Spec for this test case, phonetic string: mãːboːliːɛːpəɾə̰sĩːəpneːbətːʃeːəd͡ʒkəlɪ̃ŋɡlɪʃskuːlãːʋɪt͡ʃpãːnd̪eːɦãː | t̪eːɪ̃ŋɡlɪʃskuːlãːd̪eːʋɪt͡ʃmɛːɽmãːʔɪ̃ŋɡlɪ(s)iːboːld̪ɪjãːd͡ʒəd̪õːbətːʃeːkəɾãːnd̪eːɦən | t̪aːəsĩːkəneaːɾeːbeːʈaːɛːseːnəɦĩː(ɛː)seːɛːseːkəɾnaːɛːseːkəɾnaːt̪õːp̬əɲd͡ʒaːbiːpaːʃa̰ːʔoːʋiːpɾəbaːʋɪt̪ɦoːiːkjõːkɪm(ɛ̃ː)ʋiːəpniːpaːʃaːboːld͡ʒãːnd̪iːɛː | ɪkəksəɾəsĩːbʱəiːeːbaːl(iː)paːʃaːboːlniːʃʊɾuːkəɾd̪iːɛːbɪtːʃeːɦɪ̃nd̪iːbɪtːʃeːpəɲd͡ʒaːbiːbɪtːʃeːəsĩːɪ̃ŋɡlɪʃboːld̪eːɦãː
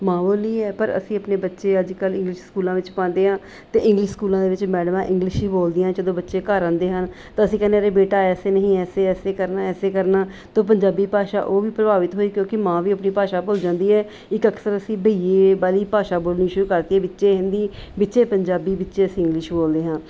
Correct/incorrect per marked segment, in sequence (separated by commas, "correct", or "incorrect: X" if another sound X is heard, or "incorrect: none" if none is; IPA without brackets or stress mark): incorrect: ʃ, correct, incorrect: ãː, correct